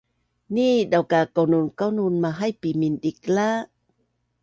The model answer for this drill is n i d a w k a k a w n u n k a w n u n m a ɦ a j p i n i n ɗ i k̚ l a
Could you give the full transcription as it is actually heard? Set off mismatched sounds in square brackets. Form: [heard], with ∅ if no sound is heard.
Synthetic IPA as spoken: n i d a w k a k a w n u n k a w n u n m a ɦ a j p i [m] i n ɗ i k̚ l a